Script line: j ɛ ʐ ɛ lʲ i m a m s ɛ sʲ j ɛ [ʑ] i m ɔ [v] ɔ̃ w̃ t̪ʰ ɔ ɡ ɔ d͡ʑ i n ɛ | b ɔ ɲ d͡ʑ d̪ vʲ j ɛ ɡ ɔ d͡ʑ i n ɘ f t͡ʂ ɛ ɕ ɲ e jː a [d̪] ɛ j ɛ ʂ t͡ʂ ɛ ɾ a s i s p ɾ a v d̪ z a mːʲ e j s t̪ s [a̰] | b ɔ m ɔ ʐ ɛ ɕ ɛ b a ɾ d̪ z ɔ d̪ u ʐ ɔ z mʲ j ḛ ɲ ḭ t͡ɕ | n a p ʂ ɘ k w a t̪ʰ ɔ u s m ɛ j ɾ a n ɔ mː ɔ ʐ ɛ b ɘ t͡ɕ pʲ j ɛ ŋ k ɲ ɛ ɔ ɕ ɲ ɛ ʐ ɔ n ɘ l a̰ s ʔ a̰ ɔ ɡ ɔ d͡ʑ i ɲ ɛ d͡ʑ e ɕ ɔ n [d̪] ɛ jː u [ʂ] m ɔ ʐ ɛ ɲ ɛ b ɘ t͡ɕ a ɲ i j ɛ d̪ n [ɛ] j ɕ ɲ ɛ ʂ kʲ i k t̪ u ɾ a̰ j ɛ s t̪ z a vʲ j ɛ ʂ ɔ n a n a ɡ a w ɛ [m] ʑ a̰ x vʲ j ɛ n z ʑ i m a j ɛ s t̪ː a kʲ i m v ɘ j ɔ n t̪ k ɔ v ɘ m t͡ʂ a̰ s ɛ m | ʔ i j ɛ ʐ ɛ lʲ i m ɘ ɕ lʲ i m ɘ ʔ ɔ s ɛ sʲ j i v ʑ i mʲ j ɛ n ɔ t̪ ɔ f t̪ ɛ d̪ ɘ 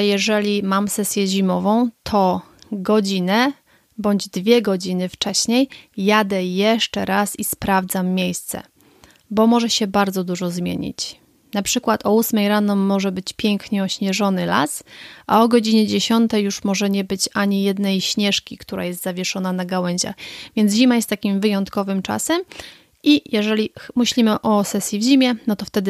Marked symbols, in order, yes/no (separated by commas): yes, yes, yes, no, no, yes, yes, no